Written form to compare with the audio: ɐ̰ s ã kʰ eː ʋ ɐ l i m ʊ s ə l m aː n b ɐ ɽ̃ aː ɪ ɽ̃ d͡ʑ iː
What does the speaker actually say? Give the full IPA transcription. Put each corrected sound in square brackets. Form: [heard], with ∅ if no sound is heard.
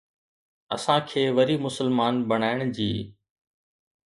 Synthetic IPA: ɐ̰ s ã kʰ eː ʋ ɐ [ɾ] i m ʊ s ə l m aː n b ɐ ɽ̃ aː ɪ ɽ̃ d͡ʑ iː

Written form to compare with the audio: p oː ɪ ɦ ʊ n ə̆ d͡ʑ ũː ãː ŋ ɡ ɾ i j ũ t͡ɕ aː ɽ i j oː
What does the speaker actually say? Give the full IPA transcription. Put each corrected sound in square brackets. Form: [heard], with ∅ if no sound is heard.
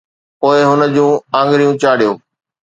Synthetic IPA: p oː ɪ ɦ ʊ n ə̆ d͡ʑ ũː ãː ŋ ɡ ɾ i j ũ t͡ɕ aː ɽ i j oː

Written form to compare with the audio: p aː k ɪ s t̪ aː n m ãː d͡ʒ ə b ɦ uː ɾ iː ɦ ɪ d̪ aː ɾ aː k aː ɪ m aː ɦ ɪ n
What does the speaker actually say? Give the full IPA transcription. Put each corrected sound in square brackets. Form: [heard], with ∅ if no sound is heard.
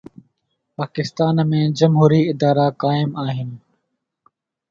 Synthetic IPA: p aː k ɪ s t̪ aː n m [ẽː] d͡ʒ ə [m] ɦ uː ɾ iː [∅] ɪ d̪ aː ɾ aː k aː ɪ m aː ɦ ɪ n

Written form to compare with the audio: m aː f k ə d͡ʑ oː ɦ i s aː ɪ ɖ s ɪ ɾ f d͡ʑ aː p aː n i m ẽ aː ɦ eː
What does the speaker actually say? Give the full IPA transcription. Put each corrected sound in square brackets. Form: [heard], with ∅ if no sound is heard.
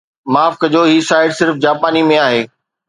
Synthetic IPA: m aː f k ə d͡ʑ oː ɦ i s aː ɪ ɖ s ɪ ɾ f d͡ʑ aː p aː n i m ẽ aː ɦ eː

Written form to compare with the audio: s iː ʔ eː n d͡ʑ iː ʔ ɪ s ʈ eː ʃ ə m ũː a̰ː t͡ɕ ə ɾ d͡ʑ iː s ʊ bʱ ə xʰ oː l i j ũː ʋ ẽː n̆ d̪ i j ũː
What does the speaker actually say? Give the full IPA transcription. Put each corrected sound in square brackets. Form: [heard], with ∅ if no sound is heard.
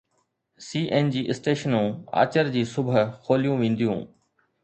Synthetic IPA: s iː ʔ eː n d͡ʑ iː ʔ ɪ s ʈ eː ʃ ə [n] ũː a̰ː t͡ɕ ə ɾ d͡ʑ iː s ʊ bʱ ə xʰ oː l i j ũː ʋ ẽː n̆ d̪ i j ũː

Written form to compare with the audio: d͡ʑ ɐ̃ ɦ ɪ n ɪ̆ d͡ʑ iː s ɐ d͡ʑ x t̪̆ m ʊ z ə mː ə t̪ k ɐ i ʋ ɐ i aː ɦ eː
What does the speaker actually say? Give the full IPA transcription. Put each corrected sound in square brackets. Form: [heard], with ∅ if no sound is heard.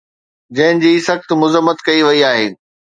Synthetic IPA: d͡ʑ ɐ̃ ɦ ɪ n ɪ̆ d͡ʑ iː s ɐ [∅] x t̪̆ m ʊ z ə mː ə t̪ k ɐ i ʋ ɐ i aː ɦ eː

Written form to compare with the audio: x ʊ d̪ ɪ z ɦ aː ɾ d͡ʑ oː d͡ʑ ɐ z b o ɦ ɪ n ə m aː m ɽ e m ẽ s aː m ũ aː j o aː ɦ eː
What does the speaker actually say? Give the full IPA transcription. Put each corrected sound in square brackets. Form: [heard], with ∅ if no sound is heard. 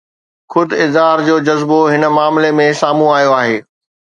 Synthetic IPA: x ʊ d̪ ɪ z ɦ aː ɾ d͡ʑ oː d͡ʑ ɐ z b o ɦ ɪ n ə m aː m [l] e m ẽ s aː m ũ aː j o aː ɦ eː

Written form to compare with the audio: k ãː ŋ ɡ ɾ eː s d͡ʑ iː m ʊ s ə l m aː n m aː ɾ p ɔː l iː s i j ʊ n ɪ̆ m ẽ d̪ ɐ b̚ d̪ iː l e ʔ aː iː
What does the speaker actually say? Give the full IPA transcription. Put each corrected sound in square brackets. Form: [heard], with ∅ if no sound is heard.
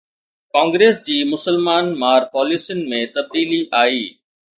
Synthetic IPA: k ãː ŋ ɡ ɾ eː s d͡ʑ iː m ʊ s ə l m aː n m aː ɾ p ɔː l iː s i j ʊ n ɪ̆ m ẽ [t̪] ɐ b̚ d̪ iː l [i] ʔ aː iː

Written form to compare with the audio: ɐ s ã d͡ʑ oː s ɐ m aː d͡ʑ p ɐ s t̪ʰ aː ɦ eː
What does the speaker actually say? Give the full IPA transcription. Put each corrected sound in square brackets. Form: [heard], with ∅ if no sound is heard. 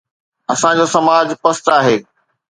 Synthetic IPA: ɐ s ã d͡ʑ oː s ɐ m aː d͡ʑ p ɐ s [t̪] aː ɦ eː

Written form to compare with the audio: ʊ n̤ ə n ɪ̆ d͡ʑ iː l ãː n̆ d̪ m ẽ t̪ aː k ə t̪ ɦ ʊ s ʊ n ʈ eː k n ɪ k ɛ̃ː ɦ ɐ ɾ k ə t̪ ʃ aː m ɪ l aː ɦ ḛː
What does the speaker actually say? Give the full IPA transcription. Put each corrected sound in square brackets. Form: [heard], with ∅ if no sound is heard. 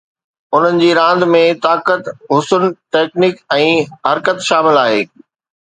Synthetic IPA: ʊ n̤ ə n ɪ̆ d͡ʑ iː [ɾ] ãː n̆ d̪ m ẽ t̪ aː k ə t̪ ɦ ʊ s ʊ n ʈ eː k n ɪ k ɛ̃ː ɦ ɐ ɾ k ə t̪ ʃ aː m ɪ l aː ɦ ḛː

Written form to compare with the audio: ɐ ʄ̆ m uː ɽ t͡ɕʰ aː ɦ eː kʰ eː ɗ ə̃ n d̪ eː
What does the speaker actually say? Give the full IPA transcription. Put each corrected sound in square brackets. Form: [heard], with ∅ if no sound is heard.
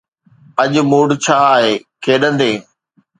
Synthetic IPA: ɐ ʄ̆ m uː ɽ t͡ɕʰ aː ɦ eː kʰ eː ɗ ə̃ n d̪ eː

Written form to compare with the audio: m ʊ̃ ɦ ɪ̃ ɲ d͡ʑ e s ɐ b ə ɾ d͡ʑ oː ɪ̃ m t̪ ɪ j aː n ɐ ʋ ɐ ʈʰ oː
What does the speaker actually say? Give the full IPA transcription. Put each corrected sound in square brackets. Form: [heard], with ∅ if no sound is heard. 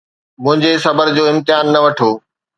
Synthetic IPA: m ʊ̃ ɦ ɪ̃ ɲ d͡ʑ e s ɐ b ə ɾ d͡ʑ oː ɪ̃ m t̪ ɪ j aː [nː] ɐ ʋ ɐ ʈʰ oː

